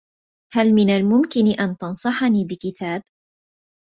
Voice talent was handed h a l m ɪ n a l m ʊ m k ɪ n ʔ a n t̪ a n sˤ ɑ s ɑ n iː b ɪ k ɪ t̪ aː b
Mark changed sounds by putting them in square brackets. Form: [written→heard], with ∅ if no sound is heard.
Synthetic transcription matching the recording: h a l m ɪ n a l m ʊ m k ɪ n ʔ a n t̪ [a→ɑ] n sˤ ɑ [s→ħ] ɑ n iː b ɪ k ɪ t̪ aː b